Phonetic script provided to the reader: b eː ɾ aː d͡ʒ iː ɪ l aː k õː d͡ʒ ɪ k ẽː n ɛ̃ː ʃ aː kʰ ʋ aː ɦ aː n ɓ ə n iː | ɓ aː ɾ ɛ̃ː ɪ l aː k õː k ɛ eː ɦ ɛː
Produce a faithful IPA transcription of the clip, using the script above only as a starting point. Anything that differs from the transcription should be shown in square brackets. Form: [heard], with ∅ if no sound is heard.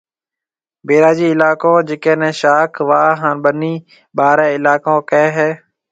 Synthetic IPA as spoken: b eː ɾ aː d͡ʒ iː ɪ l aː k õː d͡ʒ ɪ k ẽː n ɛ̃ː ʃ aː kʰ ʋ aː ɦ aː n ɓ ə n iː | ɓ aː ɾ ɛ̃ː ɪ l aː k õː k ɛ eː ɦ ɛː